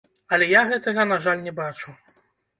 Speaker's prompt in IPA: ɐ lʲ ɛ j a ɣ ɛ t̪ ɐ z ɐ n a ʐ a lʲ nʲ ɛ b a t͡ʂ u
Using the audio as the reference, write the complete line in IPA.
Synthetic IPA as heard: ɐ lʲ ɛ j a ɣ ɛ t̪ ɐ ɣ ɐ n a ʐ a lʲ nʲ ɛ b a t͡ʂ u